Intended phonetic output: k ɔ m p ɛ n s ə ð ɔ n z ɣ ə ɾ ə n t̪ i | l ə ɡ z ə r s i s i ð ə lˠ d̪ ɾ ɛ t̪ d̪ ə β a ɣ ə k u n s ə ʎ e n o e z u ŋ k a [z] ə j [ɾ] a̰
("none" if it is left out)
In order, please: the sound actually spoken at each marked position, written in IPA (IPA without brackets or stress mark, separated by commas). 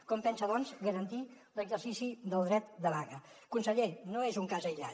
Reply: z, ʎ